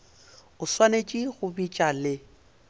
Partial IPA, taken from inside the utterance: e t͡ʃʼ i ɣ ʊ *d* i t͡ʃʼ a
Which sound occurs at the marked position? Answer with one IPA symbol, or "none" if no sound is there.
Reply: b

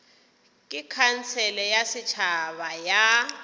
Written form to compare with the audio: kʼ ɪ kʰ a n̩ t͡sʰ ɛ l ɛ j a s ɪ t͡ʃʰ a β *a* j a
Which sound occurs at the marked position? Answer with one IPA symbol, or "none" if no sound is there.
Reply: a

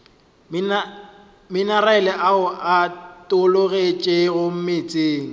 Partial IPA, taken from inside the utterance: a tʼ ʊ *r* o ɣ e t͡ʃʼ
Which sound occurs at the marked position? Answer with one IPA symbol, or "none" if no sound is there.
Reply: l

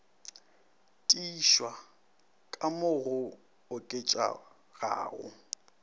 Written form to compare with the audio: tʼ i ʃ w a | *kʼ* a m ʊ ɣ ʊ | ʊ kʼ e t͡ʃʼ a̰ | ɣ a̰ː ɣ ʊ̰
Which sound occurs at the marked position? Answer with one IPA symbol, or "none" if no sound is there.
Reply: kʼ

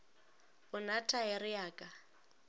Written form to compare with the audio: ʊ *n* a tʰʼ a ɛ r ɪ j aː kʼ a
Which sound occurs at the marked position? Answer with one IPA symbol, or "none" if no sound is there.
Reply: n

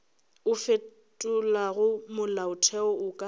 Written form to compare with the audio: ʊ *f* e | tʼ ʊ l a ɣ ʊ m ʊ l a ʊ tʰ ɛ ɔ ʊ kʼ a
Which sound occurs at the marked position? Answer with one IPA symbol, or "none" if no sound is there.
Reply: f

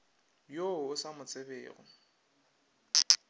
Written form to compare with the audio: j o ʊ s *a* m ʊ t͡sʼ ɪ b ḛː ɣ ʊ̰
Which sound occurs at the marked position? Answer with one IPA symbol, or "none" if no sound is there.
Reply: a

